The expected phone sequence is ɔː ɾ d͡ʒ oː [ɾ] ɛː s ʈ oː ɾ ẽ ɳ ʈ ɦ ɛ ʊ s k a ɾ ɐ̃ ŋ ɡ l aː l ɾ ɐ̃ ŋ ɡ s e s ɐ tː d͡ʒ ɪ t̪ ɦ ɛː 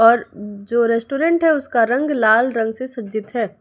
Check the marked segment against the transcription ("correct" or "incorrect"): correct